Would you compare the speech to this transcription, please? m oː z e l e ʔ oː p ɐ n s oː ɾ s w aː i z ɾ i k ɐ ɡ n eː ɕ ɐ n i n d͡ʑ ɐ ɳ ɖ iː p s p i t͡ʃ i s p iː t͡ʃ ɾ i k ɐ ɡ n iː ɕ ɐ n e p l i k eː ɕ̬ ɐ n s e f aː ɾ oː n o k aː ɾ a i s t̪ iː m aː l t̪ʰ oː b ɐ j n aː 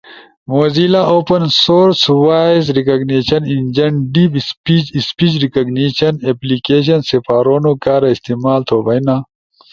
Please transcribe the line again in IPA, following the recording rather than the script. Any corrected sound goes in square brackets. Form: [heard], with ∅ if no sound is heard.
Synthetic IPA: m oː z [i] l [a] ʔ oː p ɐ n s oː ɾ s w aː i z ɾ i k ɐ ɡ n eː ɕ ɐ n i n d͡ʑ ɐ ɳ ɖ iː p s p i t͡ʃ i s p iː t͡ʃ ɾ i k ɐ ɡ n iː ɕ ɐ n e p l i k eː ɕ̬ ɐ n s e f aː ɾ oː n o k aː ɾ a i s t̪ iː m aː l t̪ʰ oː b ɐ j n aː